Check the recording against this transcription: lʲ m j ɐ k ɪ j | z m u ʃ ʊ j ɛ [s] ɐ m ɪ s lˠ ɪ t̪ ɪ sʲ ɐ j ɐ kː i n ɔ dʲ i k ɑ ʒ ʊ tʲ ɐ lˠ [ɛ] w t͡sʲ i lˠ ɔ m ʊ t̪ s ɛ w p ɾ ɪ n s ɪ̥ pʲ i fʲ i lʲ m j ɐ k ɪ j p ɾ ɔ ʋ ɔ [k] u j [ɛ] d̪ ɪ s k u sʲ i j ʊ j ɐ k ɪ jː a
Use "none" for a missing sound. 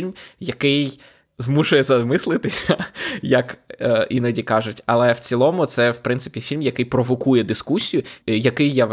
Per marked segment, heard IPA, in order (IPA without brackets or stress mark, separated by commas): z, ɛ, k, ɛ